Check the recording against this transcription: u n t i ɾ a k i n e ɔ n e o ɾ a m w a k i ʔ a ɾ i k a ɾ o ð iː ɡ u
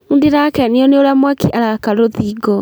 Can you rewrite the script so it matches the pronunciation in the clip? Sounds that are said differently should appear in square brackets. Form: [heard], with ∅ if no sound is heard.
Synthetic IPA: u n [d] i ɾ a k [ɛ] n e ɔ n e o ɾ a m w a k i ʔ a ɾ [a] k a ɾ o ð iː ɡ [ɔ]